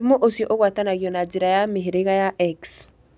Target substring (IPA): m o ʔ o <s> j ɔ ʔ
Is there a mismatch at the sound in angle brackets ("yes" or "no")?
no